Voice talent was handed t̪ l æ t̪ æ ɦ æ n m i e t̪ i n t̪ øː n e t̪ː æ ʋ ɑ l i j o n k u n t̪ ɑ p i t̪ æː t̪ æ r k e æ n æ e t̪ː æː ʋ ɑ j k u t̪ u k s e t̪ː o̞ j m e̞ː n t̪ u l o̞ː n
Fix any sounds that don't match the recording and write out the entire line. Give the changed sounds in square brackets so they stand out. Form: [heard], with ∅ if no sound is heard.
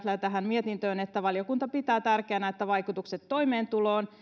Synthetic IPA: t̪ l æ t̪ æ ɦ æ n m i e t̪ i n t̪ øː n e t̪ː æ ʋ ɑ l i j o [∅] k u n t̪ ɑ p i t̪ æː t̪ æ r k e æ n æ e t̪ː [æ] ʋ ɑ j k u t̪ u k s e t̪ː o̞ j m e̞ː n t̪ u l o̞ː n